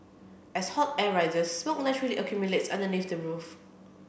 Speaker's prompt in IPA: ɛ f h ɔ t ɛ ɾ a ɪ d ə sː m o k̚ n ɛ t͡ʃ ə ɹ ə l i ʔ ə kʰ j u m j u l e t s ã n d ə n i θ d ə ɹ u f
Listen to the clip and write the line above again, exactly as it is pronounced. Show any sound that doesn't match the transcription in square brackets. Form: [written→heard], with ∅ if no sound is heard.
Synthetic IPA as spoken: ɛ [f→s] h ɔ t ɛ [ɾ→ɹ] a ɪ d ə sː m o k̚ n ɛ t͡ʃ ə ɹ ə l i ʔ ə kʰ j u m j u l e t s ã n d ə n i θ d ə ɹ u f